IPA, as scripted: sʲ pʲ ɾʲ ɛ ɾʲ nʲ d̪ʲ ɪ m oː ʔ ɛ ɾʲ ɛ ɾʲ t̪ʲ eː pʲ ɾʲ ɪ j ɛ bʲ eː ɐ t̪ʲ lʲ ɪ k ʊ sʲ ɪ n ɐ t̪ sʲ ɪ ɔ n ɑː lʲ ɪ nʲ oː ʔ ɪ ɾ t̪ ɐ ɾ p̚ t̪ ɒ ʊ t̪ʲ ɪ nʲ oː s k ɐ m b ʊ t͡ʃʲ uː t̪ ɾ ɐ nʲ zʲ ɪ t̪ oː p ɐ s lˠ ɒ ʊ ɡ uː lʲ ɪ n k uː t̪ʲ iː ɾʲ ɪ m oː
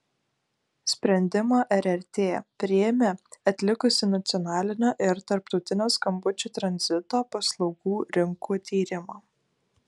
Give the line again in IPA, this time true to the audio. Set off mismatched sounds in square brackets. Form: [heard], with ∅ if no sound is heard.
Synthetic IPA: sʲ pʲ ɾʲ ɛ [∅] nʲ d̪ʲ ɪ m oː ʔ ɛ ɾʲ ɛ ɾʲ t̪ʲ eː pʲ ɾʲ ɪ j ɛ [mʲ] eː ɐ t̪ʲ lʲ ɪ k ʊ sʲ ɪ n ɐ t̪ sʲ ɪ ɔ n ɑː lʲ ɪ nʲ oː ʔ ɪ ɾ t̪ ɐ ɾ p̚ t̪ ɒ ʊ t̪ʲ ɪ nʲ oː s k ɐ m b ʊ t͡ʃʲ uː t̪ ɾ ɐ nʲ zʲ ɪ t̪ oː p ɐ s lˠ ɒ ʊ ɡ uː [ɾʲ] ɪ [ŋ] k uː t̪ʲ iː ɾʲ ɪ m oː